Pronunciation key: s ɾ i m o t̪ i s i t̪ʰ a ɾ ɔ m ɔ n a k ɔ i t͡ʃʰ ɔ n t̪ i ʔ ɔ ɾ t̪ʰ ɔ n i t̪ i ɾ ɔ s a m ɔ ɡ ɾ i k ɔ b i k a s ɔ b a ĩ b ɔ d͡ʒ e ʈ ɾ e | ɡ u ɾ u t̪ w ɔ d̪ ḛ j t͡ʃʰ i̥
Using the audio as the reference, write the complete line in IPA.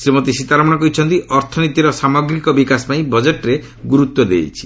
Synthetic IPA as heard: s ɾ i m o t̪ i s i t̪ a ɾ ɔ m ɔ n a k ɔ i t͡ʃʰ ɔ n t̪ i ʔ ɔ ɾ t̪ʰ ɔ n i t̪ i ɾ ɔ s a m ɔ ɡ ɾ i k ɔ b i k a s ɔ p a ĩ b ɔ d͡ʒ e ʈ ɾ e | ɡ u ɾ u t̪ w ɔ d̪ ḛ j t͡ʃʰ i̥